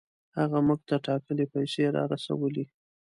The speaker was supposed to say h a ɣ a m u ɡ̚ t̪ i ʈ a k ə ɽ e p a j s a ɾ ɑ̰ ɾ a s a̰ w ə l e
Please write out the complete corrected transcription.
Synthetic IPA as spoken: h a ɣ a m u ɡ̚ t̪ a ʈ ɑ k ə l e p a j s e ɾ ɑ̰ ɾ a s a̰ w ə l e